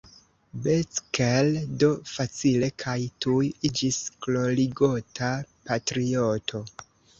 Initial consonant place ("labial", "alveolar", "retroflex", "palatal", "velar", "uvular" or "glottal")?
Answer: labial